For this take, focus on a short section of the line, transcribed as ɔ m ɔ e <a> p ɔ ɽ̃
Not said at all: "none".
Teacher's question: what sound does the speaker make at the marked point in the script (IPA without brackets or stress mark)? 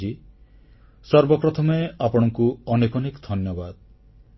a